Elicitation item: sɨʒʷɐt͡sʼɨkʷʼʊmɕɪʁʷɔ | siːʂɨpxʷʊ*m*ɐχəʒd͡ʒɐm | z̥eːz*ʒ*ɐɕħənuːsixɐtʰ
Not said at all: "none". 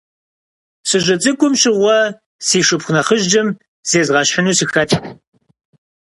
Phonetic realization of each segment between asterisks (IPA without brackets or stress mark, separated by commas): n, ʁ